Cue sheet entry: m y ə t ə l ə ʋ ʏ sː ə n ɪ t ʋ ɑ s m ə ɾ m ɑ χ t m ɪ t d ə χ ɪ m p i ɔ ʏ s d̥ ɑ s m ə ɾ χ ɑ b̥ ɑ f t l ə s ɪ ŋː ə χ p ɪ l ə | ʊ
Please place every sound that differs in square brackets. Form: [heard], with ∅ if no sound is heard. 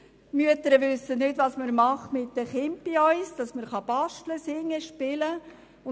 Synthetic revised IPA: m y ə t ə [ɾ] ə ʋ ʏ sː ə n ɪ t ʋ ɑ s m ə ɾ m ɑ χ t m ɪ t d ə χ ɪ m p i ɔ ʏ s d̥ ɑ s m ə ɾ χ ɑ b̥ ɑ [ʃ] t l ə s ɪ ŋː ə [ʃ] p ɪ l ə | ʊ